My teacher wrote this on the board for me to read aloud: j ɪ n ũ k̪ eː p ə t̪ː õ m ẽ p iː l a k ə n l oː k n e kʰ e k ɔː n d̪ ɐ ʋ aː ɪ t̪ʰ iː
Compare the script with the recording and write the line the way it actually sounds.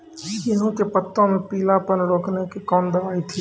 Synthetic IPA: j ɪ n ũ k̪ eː p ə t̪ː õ m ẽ p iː l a p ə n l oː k n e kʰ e k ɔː n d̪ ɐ ʋ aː i t̪ʰ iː